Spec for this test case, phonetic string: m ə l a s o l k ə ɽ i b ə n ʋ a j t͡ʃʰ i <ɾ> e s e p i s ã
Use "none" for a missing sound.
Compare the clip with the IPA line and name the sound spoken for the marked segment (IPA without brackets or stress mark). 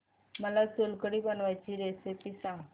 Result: ɾ